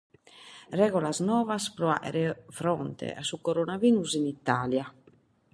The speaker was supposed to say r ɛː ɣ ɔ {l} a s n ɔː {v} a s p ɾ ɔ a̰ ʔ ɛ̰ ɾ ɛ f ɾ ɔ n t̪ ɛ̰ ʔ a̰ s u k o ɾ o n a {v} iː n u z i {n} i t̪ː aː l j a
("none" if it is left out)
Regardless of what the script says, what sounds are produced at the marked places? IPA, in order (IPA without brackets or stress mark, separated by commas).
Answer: l, v, v, n